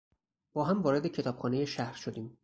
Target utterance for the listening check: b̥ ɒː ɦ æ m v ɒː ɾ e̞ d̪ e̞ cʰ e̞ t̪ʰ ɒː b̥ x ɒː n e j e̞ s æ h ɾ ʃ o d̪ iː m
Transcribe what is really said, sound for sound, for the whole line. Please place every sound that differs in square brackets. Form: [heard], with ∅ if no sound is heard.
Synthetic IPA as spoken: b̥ ɒː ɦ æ m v ɒː ɾ e̞ d̪ e̞ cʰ e̞ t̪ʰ ɒː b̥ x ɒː n e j e̞ [ʃ] æ h ɾ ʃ o d̪ iː m